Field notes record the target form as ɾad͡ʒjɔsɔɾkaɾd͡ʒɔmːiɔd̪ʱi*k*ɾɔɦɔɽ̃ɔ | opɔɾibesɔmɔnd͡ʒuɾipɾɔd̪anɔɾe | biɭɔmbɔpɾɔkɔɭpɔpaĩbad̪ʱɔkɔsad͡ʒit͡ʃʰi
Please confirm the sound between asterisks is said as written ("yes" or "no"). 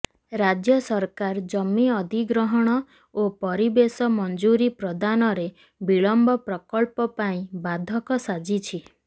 no